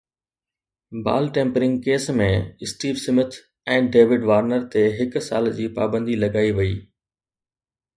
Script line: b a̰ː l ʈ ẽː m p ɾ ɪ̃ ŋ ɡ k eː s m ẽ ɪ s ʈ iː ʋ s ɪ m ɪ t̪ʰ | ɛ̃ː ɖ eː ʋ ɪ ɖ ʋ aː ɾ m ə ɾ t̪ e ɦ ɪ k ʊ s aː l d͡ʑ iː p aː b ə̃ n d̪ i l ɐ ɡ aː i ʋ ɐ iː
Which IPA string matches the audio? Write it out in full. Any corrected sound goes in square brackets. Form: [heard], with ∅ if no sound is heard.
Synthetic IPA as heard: b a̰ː l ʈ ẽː m p ɾ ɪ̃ ŋ ɡ k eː s m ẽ ɪ s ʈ iː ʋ s ɪ m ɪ t̪ʰ | ɛ̃ː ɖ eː ʋ ɪ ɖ ʋ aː ɾ [n] ə ɾ t̪ e ɦ ɪ k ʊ s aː l d͡ʑ iː p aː b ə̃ n d̪ i l ɐ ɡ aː i ʋ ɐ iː